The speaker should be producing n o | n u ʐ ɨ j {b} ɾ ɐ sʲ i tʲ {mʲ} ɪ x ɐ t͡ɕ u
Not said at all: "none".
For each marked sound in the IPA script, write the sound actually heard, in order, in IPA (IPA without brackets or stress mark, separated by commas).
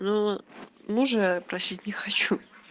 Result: p, nʲ